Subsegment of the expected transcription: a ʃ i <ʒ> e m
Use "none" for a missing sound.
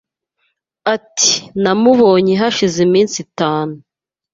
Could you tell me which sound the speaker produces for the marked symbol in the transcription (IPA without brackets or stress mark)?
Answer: z